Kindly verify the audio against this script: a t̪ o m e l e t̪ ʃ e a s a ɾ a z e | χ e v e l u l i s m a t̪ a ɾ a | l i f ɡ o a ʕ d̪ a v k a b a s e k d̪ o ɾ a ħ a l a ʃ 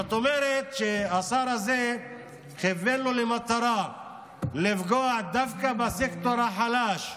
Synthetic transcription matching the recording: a t̪ o m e ɾ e t̪ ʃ e a s a ɾ a z e | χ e v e l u l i m a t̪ a ɾ a | l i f ɡ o a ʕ d̪ a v k a b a s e k t̪ o ɾ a ħ a l a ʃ